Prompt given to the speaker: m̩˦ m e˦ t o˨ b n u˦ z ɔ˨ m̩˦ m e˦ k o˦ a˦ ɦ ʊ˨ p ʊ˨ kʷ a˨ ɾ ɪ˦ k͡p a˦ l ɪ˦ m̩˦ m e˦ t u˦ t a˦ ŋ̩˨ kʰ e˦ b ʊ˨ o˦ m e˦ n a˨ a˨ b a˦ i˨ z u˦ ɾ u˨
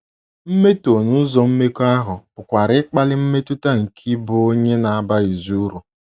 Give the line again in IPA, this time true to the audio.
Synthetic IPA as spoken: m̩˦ m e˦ t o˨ n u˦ z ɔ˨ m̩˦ m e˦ k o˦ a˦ ɦ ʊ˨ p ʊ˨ kʷ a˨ ɾ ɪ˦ k͡p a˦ l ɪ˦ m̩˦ m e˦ t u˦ t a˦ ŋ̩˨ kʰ i˦ b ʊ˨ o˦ ɲ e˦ n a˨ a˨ b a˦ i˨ z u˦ ɾ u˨